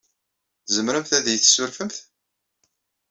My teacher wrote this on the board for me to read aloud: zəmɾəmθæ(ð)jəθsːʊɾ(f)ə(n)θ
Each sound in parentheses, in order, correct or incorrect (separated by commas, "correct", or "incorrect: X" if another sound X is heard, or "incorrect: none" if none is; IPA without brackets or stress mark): correct, correct, incorrect: m